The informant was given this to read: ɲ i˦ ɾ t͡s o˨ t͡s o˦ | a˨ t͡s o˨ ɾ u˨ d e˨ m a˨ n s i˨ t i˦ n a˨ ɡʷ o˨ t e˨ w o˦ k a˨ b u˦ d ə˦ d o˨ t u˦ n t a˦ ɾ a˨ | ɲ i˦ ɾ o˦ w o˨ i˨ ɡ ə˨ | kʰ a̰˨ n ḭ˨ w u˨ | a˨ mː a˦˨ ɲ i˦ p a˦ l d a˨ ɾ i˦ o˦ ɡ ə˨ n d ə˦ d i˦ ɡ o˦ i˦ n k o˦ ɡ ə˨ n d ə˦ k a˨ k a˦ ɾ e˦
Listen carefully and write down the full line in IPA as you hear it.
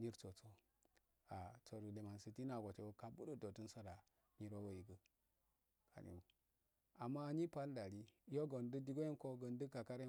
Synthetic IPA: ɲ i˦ ɾ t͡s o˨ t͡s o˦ | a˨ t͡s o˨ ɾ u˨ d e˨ m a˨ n s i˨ t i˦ n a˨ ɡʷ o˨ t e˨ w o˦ k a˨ b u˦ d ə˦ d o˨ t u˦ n s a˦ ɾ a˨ | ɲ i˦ ɾ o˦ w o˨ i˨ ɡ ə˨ | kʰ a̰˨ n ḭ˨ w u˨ | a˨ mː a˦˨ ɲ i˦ p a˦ l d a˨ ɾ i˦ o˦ ɡ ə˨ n d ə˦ d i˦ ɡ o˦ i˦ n k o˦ ɡ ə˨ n d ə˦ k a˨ k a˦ ɾ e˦